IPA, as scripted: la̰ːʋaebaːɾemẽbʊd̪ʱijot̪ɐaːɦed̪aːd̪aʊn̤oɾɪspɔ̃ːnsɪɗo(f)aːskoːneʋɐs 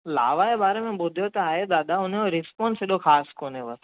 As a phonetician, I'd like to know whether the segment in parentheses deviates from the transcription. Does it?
yes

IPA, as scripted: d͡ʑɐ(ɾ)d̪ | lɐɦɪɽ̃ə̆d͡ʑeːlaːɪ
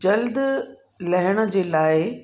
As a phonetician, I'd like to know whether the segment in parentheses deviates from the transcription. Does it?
yes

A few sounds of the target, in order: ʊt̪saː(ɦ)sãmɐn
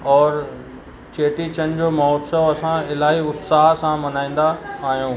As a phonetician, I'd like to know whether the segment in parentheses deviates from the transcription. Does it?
no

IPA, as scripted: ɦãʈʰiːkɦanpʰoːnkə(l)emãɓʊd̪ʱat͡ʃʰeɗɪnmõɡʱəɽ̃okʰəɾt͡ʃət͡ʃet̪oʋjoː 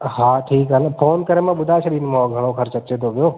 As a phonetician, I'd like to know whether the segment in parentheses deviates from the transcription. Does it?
yes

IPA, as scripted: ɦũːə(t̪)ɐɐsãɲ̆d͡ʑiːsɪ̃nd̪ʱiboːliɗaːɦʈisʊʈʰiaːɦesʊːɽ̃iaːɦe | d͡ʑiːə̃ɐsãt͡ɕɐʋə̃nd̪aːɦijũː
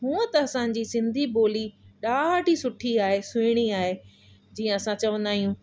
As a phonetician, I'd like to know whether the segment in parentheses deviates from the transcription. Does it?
no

